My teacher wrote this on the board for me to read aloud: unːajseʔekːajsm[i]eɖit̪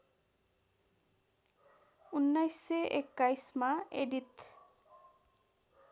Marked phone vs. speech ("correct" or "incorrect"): incorrect